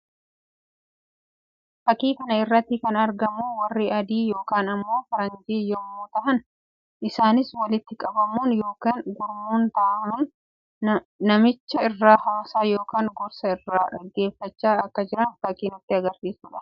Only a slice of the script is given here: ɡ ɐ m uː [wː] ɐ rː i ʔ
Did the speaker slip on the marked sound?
yes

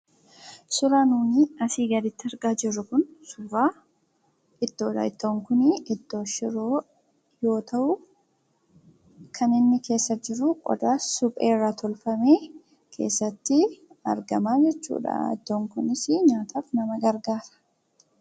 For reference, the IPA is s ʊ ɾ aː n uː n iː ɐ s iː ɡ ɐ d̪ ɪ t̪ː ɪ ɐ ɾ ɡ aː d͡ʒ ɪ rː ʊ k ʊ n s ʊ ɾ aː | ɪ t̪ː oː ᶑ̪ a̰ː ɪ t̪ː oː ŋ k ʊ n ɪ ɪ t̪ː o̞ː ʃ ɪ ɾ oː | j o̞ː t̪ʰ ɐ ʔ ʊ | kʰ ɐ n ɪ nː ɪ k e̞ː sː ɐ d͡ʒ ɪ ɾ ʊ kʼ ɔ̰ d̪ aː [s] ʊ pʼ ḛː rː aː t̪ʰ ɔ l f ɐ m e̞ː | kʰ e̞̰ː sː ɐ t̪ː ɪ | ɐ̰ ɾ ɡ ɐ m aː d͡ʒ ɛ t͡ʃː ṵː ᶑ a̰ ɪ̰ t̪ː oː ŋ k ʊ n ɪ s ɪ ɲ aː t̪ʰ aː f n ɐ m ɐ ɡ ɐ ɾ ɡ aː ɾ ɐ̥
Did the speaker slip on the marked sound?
no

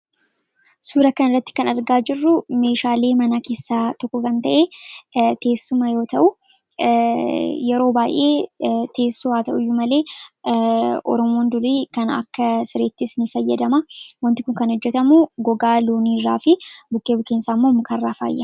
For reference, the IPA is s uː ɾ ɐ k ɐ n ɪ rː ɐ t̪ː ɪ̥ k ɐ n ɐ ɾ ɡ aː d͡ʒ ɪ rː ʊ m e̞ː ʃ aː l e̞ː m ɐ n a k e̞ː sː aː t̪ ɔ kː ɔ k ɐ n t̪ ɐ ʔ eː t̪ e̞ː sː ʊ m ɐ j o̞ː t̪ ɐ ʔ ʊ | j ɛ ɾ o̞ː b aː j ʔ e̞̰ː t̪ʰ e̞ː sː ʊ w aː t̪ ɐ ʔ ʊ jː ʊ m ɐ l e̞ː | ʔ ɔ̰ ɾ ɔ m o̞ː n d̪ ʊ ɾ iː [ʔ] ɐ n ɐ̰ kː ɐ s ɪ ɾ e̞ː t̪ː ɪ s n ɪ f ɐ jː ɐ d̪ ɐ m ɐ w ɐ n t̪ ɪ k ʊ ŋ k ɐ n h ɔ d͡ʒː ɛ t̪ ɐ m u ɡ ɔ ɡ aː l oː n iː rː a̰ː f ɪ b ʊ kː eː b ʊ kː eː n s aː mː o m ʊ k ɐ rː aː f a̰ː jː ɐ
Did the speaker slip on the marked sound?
yes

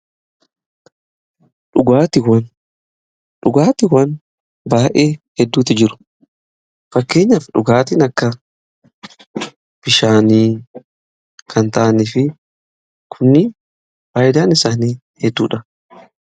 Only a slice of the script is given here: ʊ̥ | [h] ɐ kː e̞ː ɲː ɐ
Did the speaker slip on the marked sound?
yes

